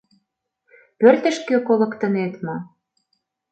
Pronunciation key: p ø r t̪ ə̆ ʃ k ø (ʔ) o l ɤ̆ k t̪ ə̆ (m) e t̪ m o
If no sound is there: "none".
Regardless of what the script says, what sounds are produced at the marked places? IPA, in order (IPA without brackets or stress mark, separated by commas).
k, n